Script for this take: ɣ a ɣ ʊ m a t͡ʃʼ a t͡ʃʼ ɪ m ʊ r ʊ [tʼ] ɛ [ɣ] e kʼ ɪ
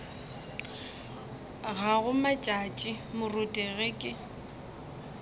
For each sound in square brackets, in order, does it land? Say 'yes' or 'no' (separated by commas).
yes, yes